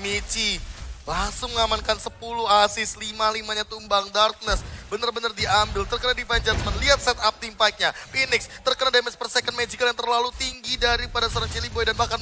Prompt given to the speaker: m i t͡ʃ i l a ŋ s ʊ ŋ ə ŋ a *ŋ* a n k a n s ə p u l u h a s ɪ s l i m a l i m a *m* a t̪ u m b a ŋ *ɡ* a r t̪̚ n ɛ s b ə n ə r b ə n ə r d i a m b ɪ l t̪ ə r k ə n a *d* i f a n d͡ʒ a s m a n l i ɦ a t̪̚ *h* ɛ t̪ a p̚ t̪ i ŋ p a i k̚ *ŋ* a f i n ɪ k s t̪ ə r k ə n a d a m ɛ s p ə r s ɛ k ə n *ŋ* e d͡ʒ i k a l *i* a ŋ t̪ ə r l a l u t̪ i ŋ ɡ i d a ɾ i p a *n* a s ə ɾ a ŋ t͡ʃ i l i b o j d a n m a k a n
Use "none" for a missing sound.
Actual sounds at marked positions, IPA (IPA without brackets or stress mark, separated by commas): m, ɲ, d, d, s, ɲ, m, j, d